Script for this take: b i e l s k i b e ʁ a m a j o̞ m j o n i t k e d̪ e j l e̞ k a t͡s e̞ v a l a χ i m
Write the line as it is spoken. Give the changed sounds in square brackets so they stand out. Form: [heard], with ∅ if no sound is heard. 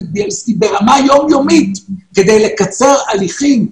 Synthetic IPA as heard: b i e l s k i b e ʁ a m a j o̞ m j o [m] i t k e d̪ e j l e̞ k a t͡s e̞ [ʁ] a l [i] χ i m